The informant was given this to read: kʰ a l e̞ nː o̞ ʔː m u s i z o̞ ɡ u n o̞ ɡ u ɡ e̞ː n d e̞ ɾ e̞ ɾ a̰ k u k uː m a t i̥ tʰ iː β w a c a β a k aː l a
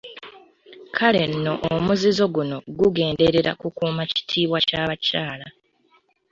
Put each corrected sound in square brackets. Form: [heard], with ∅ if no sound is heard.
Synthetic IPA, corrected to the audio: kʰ a l e̞ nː o̞ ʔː m u [z] i z o̞ ɡ u n o̞ ɡ u ɡ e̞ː n d e̞ ɾ e̞ ɾ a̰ k u k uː m a [c] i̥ tʰ iː β w a c a β a [c] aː l a